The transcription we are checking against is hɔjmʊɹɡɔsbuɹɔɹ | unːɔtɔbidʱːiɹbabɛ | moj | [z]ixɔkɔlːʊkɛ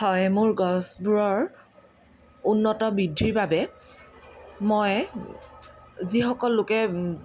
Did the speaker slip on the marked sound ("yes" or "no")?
no